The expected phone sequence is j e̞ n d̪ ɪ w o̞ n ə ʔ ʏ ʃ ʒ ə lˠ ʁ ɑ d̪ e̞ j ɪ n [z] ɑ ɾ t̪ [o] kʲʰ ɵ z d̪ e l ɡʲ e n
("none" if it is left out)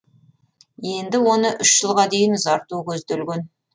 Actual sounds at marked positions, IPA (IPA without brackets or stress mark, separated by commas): z, u